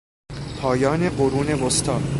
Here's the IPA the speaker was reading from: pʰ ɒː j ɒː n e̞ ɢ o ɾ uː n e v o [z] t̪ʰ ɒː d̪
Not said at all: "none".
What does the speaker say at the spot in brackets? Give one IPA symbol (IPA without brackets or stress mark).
s